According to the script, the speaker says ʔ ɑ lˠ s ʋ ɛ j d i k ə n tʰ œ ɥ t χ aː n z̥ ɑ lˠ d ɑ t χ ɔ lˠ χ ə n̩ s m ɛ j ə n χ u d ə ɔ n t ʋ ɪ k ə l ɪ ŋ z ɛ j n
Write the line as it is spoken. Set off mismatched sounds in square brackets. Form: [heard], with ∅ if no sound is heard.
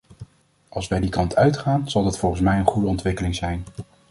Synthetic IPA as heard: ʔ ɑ lˠ s ʋ ɛ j d i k [ɑ] n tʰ œ ɥ t χ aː n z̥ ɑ lˠ d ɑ t [f] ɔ lˠ χ ə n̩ s m ɛ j ə n χ u d ə ɔ n t ʋ ɪ k ə l ɪ ŋ z ɛ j n